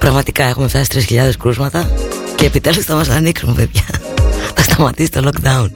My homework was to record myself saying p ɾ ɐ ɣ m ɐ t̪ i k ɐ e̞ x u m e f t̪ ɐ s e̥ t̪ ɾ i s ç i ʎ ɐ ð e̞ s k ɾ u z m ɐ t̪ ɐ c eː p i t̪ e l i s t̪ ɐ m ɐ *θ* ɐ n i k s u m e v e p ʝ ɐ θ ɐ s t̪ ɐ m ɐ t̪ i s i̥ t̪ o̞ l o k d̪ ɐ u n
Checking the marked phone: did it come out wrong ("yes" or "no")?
yes